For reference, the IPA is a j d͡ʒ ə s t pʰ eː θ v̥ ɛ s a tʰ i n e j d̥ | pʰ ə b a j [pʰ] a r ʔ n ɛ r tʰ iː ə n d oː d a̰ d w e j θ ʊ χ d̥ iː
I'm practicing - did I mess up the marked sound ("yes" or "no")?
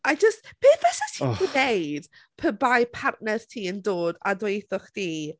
no